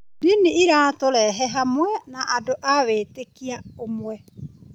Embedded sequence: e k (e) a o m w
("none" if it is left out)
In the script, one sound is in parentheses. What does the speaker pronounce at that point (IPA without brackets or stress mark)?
i